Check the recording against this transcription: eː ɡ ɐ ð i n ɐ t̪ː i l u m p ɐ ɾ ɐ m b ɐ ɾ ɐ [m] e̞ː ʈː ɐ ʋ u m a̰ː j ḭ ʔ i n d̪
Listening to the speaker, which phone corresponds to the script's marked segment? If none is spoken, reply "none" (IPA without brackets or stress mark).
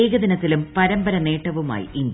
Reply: n